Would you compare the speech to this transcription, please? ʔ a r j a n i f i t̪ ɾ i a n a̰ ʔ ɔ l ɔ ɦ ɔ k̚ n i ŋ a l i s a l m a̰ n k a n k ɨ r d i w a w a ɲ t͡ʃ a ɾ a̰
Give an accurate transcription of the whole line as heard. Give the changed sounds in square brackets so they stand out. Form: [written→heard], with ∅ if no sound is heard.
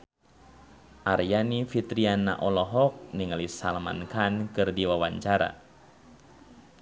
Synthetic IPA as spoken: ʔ a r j a n i f i t̪ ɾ i a n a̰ ʔ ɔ l ɔ ɦ ɔ k̚ n i ŋ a l i s a l m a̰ n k a n k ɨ r d i w a w a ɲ t͡ʃ a ɾ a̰

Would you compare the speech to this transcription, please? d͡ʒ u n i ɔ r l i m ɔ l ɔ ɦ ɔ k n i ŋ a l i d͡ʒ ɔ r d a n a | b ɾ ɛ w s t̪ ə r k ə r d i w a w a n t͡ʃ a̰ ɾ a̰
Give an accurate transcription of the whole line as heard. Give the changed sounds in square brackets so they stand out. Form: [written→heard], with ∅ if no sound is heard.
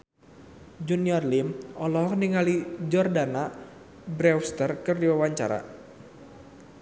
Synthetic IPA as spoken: d͡ʒ u n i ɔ r l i m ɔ l ɔ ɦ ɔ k n i ŋ a l i d͡ʒ ɔ r d a n a | b ɾ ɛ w s t̪ ə r k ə r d i w a w a [n→ɲ] t͡ʃ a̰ ɾ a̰

